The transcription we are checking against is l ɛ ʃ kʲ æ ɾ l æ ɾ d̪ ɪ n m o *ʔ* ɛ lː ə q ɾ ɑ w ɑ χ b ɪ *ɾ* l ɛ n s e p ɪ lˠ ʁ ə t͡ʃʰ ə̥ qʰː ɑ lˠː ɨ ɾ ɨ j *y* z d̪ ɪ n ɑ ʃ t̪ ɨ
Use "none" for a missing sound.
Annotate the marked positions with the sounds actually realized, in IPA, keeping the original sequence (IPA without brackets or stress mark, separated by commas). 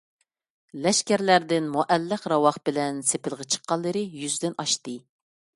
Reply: ʔ, none, y